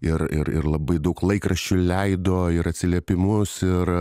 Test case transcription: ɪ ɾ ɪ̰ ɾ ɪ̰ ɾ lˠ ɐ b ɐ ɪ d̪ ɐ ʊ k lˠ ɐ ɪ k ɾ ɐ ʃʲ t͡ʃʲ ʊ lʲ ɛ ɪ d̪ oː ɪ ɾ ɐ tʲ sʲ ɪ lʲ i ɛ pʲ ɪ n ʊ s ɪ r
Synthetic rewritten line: ɪ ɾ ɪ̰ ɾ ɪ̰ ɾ lˠ ɐ b ɐ ɪ d̪ ɐ ʊ k lˠ ɐ ɪ k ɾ ɐ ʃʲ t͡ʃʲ ʊ lʲ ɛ ɪ d̪ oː ɪ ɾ ɐ tʲ sʲ ɪ lʲ i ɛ pʲ ɪ m ʊ s ɪ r